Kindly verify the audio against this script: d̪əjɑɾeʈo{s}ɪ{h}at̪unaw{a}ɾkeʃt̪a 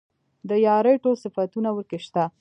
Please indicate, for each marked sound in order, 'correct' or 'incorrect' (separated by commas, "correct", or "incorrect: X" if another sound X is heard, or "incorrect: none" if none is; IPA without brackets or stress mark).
correct, incorrect: f, incorrect: ə